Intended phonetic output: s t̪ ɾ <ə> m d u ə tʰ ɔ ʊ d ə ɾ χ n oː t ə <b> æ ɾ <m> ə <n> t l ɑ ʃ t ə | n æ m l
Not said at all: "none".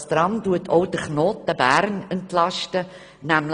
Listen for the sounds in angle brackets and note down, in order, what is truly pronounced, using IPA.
ɑ, b, n, n

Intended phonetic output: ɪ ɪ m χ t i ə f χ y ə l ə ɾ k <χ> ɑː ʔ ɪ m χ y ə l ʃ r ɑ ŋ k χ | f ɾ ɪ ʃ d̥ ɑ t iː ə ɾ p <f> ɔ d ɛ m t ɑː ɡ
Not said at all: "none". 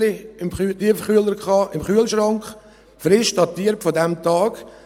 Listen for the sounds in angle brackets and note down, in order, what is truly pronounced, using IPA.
χ, f

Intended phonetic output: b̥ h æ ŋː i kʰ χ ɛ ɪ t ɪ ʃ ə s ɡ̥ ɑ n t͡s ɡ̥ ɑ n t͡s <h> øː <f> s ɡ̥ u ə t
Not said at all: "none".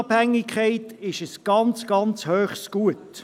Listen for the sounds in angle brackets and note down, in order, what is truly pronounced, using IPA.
h, χ

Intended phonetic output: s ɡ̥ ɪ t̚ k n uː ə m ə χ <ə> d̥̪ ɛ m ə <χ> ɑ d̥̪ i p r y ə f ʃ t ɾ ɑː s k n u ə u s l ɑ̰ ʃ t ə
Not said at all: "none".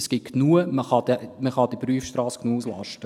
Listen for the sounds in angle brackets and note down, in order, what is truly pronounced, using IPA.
ɑ, χ

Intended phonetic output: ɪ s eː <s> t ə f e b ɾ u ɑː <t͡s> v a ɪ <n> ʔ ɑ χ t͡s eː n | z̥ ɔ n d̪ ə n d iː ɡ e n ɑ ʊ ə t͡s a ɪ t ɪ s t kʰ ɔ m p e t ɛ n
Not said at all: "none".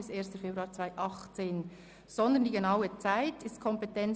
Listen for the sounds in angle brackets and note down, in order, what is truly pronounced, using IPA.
s, t͡s, none

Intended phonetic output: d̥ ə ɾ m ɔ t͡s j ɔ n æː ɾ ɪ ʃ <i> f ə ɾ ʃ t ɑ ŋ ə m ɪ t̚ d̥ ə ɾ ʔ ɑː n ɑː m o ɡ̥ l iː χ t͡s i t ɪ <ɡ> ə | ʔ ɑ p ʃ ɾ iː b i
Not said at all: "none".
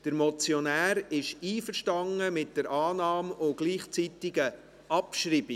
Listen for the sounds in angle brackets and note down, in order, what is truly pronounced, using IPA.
iː, ɡ

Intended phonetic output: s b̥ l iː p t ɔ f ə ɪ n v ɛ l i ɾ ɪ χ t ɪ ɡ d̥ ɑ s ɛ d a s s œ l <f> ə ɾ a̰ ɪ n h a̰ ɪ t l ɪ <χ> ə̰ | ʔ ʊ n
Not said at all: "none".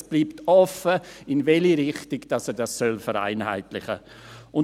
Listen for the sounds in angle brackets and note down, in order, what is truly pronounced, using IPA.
f, χ

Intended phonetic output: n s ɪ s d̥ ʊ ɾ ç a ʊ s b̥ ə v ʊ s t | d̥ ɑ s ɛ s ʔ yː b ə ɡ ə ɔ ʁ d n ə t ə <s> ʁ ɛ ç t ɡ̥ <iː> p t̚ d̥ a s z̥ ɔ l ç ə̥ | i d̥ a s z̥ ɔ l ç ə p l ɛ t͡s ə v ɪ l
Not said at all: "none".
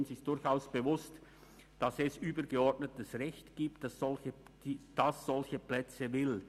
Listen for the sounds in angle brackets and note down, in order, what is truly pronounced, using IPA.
s, iː

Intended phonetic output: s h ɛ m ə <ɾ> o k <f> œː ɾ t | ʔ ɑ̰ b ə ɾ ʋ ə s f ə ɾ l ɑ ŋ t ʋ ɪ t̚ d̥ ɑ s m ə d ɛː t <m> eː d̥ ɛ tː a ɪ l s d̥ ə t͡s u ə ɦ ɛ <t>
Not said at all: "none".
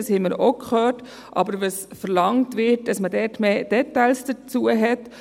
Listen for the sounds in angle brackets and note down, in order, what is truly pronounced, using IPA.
ɾ, χ, m, t

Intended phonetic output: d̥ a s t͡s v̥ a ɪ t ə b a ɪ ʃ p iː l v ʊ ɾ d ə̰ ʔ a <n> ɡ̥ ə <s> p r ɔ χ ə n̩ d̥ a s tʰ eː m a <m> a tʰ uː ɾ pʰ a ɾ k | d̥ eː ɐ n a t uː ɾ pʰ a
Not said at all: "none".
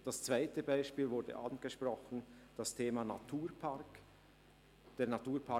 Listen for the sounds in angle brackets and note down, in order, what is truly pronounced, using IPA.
n, ʃ, n

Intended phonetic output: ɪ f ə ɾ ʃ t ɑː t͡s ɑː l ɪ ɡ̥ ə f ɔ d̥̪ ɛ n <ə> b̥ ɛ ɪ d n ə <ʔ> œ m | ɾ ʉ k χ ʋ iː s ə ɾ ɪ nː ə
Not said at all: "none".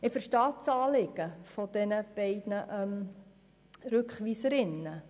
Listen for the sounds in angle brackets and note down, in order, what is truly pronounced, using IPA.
ə, ʔ

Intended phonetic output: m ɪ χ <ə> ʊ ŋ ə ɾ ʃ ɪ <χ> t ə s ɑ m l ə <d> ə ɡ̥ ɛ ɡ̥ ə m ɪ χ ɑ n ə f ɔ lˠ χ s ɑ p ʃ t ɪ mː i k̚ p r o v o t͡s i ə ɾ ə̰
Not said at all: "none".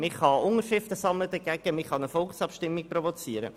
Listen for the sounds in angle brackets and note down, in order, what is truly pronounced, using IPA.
ɑ, f, d

